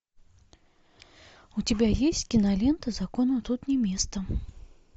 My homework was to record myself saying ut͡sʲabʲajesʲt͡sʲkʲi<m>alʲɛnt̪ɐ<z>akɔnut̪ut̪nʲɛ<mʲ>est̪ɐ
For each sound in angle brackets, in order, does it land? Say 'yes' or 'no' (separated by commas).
no, yes, yes